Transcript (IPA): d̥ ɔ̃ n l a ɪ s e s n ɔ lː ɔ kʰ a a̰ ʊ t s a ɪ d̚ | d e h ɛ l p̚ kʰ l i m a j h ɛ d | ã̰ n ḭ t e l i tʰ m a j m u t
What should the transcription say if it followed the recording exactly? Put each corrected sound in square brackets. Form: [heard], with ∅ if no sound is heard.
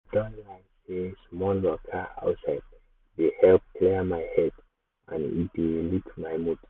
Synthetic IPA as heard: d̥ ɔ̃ n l a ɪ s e s [m] ɔ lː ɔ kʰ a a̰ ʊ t s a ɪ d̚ | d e h ɛ l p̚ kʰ l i m a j h ɛ d | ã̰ n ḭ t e l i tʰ m a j m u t